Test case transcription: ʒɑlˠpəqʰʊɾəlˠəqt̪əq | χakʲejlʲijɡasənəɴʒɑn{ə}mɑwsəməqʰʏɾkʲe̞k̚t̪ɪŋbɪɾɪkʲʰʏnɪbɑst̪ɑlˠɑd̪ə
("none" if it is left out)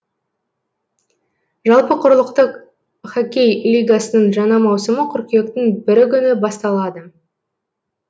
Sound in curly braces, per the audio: ɑ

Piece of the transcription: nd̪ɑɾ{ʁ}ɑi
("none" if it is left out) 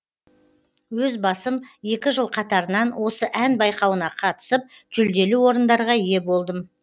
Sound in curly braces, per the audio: ʁ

